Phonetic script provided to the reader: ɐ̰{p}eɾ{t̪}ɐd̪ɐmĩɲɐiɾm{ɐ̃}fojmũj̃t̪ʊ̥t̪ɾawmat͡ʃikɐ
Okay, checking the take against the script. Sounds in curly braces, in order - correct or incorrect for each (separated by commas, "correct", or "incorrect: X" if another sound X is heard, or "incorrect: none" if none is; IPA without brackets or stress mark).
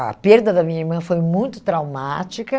correct, incorrect: d̪, correct